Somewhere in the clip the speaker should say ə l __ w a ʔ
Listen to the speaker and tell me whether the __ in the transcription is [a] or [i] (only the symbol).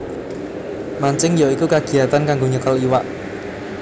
i